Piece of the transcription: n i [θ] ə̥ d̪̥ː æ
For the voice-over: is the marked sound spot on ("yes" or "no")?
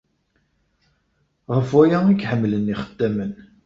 no